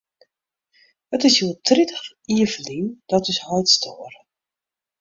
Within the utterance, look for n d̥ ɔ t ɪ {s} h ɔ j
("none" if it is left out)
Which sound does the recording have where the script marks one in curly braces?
s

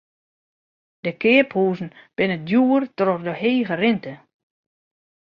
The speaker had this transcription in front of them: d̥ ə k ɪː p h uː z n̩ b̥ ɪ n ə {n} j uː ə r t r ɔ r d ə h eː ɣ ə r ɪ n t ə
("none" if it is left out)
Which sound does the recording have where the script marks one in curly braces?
d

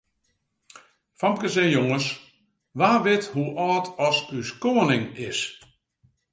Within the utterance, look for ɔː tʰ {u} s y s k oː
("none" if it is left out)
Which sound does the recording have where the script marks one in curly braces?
ɔ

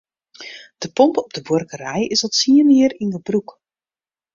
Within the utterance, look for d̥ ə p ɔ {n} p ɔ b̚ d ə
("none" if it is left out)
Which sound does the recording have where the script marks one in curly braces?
m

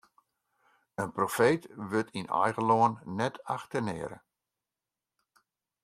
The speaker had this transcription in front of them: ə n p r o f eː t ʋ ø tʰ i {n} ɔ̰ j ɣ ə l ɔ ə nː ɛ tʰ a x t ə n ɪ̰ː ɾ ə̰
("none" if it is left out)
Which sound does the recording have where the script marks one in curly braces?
n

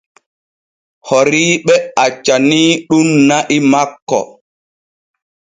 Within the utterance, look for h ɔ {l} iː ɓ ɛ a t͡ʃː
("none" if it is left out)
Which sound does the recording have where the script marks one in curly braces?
ɾ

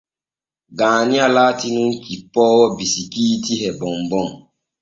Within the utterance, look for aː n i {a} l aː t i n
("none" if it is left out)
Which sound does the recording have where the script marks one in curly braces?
a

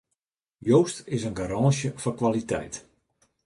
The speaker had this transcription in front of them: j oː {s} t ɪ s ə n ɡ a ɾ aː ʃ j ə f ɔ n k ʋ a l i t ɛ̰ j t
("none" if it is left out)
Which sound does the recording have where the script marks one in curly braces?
s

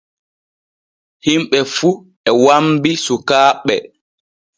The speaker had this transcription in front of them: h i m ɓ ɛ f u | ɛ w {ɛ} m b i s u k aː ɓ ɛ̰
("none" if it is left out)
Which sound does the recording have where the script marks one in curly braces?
a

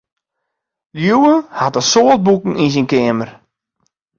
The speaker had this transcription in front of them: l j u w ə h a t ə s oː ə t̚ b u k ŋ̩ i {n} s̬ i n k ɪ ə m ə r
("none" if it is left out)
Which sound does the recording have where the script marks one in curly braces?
n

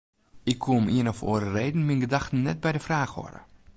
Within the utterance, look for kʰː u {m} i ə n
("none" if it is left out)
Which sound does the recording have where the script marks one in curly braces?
m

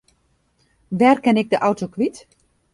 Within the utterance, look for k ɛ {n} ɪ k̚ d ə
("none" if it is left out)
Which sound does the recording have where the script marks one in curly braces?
n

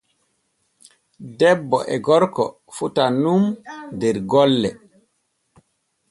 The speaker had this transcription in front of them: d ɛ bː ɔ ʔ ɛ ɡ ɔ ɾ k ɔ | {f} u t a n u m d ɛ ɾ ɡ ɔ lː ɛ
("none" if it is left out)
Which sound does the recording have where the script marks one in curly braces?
f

